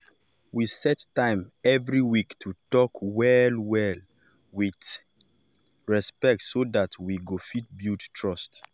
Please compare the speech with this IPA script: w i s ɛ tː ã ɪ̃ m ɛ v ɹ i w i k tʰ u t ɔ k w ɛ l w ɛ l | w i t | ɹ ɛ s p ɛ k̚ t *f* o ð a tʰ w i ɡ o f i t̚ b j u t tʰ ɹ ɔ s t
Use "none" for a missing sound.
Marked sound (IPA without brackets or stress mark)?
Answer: s